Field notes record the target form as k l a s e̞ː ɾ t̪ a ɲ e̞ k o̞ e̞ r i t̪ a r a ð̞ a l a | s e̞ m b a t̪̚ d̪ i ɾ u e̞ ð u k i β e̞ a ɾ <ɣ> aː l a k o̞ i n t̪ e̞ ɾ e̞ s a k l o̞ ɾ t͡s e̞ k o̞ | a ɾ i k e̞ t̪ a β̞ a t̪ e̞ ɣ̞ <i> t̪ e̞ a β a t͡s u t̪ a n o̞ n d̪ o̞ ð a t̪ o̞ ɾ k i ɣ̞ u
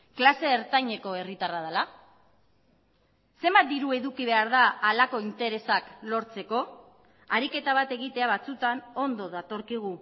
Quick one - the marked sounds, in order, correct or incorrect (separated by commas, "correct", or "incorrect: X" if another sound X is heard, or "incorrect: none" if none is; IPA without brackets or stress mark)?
incorrect: ð, correct